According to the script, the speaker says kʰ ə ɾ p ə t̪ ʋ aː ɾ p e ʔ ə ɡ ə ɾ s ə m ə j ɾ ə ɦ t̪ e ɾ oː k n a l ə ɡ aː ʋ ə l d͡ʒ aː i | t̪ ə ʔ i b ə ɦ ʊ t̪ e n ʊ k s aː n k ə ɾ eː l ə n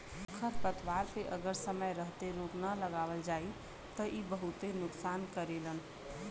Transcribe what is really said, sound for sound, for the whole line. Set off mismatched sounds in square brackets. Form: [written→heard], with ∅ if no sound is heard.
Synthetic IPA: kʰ ə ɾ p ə t̪ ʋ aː ɾ p e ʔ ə ɡ ə ɾ s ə m ə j ɾ ə ɦ t̪ e ɾ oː k n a l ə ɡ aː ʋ ə l d͡ʒ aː i | t̪ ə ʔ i b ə ɦ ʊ t̪ e n ʊ k s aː n k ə ɾ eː l ə n